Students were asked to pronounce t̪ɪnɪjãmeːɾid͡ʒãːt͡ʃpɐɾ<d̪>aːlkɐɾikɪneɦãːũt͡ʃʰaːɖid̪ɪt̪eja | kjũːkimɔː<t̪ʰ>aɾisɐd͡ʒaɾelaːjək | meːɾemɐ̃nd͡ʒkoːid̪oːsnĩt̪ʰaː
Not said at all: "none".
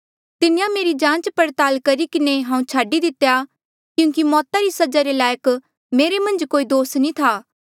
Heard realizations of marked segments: t̪, t̪

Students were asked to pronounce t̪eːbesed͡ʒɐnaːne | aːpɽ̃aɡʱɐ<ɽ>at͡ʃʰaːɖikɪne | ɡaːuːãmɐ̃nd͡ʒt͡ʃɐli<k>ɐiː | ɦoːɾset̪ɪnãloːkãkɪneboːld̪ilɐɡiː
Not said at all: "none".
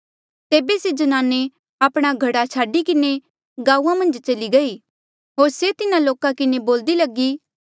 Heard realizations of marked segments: ɽ, ɡ

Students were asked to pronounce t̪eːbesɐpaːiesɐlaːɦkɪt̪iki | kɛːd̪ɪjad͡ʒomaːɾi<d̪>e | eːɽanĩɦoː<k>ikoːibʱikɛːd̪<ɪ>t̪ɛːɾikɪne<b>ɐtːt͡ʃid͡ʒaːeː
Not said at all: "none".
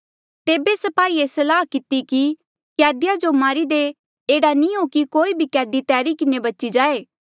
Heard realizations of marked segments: d̪, k, i, b

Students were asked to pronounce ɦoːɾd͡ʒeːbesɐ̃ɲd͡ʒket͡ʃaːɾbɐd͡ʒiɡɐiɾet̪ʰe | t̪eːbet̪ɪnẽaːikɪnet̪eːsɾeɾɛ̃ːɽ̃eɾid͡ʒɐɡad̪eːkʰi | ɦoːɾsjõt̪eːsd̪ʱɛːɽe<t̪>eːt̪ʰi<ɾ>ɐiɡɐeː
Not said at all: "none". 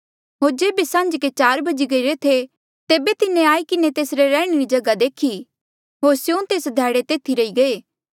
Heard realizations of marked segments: t̪, ɾ

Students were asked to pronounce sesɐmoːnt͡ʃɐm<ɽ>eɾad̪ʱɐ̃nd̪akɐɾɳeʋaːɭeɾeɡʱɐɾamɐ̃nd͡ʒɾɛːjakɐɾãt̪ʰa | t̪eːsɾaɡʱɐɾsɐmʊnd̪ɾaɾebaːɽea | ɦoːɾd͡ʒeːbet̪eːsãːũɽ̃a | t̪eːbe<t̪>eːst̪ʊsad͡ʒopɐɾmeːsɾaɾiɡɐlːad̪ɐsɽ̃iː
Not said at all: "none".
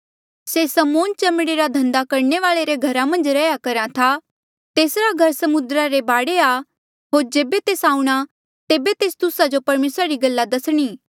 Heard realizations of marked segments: ɽ, t̪

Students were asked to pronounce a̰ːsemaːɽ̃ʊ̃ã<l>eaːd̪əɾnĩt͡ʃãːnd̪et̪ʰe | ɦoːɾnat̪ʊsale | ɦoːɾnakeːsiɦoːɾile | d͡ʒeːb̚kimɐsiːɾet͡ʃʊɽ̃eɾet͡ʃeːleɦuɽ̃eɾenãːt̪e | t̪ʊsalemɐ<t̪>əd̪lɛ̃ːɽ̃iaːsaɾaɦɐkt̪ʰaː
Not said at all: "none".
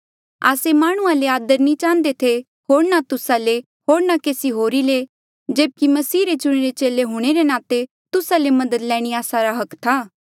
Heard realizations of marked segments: l, d̪

